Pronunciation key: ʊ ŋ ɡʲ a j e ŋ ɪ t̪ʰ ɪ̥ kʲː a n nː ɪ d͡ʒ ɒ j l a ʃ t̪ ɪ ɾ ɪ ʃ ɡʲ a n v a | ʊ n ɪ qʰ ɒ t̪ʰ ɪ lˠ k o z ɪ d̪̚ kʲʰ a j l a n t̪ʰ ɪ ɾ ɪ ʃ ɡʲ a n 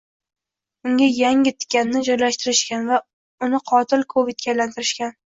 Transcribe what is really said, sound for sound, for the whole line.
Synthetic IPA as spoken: ʊ ŋ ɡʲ a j a ŋ ɪ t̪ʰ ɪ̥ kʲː a n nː ɪ d͡ʒ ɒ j l a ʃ t̪ ɪ ɾ ɪ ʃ kʲ a n v a | ʊ n ɪ qʰ ɒ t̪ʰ ɪ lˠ kʰ o v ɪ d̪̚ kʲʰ a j l a n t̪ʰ ɪ ɾ ɪ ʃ kʲ a n